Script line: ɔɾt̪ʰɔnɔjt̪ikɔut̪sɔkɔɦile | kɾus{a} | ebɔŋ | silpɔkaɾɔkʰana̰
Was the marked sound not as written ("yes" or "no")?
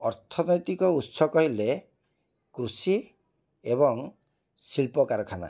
yes